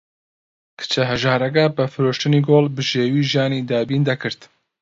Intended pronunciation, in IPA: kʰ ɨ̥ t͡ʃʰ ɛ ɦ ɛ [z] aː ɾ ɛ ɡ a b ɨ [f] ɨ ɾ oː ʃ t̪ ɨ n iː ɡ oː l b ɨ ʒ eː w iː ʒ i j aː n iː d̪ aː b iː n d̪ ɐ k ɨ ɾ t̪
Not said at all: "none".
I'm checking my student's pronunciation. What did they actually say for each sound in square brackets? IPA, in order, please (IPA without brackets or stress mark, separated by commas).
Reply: ʒ, f